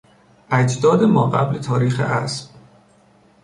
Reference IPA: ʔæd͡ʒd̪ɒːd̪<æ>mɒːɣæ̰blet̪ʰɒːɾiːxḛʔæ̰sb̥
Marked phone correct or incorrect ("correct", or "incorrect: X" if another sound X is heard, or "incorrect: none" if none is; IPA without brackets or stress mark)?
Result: incorrect: e